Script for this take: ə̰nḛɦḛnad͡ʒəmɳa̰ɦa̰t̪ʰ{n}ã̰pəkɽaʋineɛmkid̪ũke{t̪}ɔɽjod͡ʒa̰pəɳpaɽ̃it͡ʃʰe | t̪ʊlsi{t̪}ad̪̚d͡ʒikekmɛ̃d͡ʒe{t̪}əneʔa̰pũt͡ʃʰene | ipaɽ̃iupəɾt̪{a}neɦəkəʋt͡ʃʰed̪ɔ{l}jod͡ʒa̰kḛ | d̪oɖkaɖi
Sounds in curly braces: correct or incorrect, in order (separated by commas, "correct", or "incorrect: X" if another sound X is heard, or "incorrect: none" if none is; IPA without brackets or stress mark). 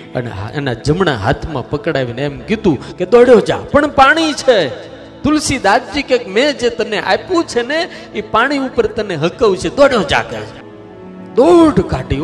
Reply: incorrect: m, incorrect: d̪, incorrect: d̪, correct, incorrect: ə, incorrect: ɽ